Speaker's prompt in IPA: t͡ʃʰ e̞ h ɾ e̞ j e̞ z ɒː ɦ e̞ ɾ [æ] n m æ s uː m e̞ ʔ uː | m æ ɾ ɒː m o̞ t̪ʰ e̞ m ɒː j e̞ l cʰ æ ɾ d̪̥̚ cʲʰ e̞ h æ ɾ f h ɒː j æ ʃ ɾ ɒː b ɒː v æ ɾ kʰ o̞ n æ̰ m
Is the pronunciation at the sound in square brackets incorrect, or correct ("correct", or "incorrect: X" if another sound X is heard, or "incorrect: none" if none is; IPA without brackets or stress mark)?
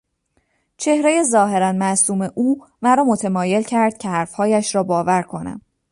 correct